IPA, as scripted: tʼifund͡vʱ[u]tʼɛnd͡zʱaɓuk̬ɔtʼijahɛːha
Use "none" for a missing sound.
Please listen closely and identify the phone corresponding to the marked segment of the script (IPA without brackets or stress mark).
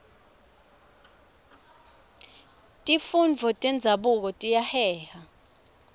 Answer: ɔ